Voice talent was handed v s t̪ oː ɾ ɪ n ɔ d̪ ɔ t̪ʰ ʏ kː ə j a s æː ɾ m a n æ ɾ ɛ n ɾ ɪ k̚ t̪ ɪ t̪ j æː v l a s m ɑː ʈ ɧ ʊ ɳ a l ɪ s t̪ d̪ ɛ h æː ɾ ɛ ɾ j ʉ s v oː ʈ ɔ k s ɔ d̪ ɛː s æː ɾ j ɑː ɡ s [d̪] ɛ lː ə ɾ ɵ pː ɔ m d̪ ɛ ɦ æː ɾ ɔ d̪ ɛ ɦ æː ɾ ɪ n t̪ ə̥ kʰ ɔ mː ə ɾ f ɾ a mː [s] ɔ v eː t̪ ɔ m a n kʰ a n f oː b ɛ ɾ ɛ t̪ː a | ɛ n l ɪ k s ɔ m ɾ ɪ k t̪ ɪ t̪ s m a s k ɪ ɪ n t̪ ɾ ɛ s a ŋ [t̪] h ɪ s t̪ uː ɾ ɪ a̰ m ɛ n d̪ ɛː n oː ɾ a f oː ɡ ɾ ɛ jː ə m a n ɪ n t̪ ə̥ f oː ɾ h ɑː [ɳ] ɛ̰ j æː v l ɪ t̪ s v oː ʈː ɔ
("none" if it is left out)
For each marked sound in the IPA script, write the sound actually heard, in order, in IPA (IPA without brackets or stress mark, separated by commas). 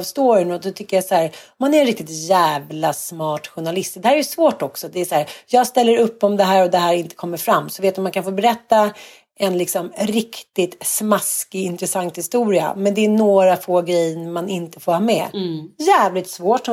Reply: t̪, s, t̪, m